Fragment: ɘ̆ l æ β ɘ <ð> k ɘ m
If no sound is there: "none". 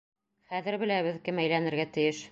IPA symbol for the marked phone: ð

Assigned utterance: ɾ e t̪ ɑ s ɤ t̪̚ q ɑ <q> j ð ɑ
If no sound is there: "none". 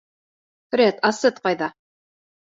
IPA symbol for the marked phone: none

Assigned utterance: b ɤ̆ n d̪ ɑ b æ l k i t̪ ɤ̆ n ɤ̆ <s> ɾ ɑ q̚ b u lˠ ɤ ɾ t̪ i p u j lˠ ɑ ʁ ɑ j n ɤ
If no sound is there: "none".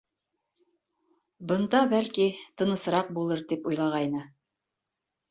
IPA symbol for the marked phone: s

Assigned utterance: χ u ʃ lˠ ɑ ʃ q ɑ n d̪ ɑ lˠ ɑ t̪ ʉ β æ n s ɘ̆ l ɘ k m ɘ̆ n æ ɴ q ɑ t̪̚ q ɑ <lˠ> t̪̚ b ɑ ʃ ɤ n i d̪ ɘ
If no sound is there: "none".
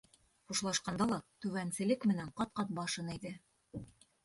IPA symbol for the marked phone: none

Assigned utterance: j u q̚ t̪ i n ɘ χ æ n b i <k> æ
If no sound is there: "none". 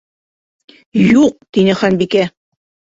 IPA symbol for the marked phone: k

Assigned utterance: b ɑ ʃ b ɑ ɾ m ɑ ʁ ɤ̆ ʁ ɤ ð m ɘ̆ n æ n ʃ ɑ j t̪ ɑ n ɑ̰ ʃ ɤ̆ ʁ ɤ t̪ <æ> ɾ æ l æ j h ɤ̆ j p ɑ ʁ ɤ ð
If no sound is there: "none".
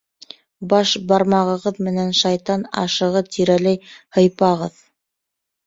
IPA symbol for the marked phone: i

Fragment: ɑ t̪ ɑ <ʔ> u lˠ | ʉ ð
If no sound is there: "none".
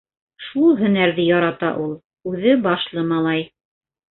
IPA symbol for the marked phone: ʔ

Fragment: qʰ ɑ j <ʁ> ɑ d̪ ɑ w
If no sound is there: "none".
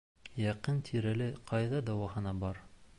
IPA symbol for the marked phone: ð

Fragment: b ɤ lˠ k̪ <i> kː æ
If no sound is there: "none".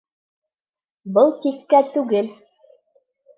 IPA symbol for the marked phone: i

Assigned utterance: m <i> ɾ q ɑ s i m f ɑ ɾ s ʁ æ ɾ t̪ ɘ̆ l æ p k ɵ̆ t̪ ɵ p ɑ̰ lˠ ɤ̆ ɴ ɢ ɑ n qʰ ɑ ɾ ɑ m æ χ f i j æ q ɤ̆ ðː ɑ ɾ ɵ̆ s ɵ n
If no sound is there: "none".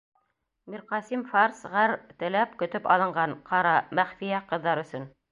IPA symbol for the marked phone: i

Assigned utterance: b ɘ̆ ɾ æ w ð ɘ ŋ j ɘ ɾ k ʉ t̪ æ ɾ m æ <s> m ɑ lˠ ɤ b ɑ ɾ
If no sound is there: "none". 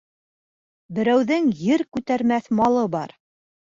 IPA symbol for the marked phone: θ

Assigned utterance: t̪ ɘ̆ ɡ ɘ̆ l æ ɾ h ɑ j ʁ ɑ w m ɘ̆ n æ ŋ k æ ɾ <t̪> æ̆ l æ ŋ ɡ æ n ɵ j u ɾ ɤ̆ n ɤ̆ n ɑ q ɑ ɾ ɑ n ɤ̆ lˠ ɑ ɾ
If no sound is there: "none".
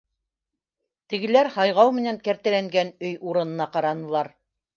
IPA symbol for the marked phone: t̪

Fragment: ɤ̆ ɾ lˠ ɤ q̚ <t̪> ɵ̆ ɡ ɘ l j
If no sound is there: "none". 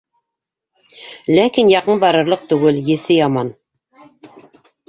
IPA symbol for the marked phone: t̪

